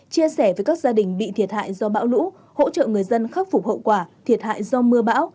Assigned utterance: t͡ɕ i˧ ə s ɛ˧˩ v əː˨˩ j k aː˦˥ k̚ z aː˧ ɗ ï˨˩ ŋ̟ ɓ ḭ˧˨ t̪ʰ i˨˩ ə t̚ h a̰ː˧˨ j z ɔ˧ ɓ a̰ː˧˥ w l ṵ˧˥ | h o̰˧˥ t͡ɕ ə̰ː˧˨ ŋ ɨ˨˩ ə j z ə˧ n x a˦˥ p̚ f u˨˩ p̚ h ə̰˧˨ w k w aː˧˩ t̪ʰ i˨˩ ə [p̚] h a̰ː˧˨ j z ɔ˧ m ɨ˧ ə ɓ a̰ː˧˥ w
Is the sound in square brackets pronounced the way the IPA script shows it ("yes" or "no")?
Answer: no